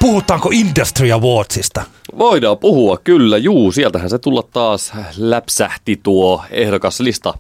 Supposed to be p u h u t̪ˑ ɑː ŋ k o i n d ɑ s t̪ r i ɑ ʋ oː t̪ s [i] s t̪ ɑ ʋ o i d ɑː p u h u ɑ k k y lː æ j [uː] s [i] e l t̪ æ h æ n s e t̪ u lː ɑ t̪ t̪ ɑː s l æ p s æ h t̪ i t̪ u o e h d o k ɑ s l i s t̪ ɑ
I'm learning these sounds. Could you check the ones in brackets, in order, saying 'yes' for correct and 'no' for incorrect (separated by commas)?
yes, yes, yes